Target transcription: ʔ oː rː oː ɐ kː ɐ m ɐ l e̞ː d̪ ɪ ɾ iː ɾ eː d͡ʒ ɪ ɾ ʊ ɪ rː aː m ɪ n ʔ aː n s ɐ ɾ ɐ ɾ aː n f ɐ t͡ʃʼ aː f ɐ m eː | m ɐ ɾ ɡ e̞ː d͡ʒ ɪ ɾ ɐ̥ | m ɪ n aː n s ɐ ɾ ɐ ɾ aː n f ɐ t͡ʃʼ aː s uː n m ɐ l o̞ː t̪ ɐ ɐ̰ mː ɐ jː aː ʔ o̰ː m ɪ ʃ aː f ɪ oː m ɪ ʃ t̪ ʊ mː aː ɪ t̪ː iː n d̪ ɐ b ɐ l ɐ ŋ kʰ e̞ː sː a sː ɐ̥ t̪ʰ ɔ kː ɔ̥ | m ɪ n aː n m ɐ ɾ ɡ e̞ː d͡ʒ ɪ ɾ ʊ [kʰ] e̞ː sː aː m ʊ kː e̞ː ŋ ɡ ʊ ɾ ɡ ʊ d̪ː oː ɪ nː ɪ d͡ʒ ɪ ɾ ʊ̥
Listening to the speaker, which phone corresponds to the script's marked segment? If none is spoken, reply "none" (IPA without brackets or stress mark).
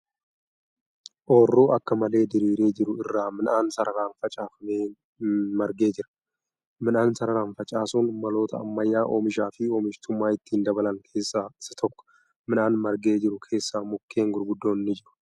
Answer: kʰ